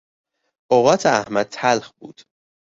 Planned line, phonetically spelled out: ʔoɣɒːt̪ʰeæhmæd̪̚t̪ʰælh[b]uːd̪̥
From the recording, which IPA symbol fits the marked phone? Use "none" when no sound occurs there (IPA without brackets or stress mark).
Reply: b